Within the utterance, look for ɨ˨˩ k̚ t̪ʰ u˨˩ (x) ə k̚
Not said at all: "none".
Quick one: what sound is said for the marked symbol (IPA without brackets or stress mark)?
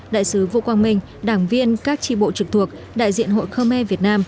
none